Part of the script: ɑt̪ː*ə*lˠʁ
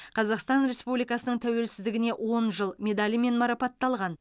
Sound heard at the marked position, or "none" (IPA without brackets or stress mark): ɑ